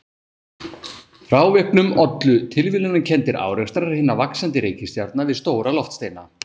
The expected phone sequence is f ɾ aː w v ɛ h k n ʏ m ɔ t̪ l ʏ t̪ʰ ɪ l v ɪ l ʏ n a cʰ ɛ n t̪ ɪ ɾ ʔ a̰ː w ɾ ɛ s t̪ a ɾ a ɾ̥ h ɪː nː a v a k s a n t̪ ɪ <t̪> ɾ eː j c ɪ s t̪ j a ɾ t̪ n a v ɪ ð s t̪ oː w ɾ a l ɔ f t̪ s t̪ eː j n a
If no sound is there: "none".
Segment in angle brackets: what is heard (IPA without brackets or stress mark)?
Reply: none